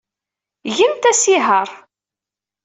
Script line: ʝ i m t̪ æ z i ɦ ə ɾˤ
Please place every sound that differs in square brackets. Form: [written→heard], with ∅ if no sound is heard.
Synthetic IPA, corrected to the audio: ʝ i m t̪ æ [z→s] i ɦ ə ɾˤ